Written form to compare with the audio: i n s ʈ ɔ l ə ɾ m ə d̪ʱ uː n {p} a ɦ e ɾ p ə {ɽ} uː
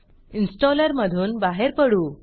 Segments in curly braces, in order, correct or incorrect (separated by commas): incorrect, correct